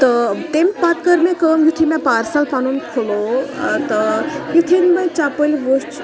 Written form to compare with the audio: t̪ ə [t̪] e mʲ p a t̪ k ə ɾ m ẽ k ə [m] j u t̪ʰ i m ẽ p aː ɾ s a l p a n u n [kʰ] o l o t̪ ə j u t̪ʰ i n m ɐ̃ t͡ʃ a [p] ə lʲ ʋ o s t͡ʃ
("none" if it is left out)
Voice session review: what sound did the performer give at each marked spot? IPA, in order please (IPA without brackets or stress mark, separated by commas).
t̪, m, kʰ, p